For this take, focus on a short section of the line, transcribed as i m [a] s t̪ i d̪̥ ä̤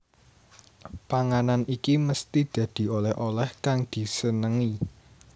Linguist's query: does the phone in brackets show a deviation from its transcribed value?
yes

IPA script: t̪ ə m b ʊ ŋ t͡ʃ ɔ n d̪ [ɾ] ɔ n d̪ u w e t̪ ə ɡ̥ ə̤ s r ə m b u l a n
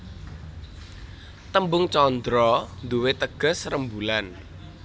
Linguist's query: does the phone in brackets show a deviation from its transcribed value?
no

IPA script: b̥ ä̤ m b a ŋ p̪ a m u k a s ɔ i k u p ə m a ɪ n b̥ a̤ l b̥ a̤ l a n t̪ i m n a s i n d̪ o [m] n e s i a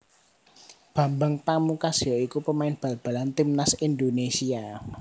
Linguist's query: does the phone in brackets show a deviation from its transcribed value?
yes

